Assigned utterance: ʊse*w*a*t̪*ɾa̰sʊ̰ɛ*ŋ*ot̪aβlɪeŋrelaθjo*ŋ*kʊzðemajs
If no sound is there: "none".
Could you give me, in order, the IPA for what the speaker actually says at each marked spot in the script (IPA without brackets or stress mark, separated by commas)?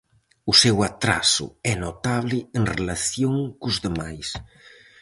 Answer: w, t̪, n, ŋ